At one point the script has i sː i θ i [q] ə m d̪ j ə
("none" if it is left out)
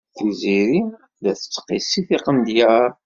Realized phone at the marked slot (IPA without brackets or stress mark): q